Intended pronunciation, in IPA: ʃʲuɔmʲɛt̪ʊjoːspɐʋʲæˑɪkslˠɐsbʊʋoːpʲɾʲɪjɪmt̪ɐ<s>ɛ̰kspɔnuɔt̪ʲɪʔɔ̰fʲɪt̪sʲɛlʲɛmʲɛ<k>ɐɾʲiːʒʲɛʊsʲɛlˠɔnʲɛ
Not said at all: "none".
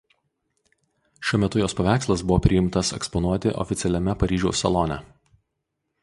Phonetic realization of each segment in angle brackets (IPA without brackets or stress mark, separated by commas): s, p